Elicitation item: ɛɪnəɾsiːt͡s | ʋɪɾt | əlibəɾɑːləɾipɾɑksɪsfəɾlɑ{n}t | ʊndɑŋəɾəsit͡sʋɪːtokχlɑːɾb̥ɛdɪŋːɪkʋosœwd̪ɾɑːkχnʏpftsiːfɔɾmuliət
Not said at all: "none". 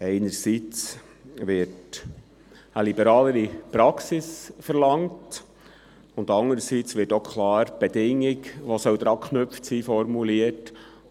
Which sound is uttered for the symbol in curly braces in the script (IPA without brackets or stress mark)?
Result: ŋ